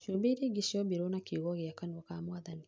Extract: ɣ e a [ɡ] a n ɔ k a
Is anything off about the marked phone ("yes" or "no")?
yes